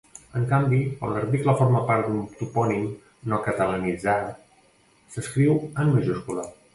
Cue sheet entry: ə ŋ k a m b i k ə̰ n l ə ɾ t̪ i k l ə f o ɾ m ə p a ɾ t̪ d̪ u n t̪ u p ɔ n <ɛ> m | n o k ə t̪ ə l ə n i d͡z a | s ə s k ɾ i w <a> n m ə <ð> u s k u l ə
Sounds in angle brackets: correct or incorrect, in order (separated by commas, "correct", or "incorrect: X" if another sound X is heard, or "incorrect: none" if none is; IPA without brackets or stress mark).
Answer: incorrect: i, incorrect: ə, incorrect: ʒ